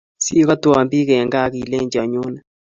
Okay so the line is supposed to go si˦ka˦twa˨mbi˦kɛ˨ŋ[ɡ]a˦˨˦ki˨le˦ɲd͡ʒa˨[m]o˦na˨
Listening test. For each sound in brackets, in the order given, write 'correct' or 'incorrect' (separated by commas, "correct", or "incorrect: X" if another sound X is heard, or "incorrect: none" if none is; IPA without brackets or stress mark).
correct, incorrect: ɲ